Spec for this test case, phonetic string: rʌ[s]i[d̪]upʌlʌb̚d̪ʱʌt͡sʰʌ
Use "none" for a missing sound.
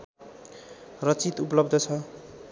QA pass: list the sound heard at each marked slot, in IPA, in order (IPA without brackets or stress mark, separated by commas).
t͡s, t̪